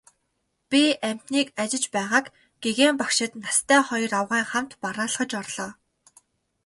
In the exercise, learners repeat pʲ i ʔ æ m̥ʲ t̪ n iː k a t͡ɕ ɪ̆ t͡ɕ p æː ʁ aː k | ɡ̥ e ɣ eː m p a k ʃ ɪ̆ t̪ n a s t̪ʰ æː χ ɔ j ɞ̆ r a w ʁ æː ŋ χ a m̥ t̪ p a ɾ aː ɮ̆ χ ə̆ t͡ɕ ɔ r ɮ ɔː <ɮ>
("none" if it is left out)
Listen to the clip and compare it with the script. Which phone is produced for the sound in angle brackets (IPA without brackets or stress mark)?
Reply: none